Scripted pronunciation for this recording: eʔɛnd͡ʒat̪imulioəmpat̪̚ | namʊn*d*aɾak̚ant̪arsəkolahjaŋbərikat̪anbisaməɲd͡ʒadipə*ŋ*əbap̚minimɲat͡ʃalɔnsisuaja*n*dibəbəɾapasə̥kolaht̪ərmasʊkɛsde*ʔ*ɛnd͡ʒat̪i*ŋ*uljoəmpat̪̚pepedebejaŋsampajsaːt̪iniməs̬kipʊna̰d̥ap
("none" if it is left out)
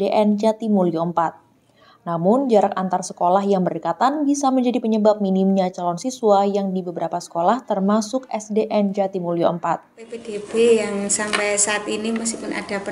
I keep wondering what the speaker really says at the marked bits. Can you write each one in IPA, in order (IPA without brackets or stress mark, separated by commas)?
d͡ʒ, ɲ, ŋ, ʔ, m